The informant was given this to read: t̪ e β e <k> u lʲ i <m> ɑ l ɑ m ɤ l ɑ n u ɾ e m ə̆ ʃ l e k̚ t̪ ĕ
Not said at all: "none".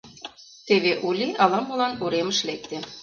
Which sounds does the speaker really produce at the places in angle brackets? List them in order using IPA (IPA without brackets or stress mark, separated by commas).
ʔ, none